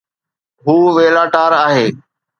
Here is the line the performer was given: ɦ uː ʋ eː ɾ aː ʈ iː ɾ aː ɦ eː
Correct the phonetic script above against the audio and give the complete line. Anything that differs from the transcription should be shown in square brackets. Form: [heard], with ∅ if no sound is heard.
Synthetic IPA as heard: ɦ uː ʋ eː [l] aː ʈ [aː] ɾ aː ɦ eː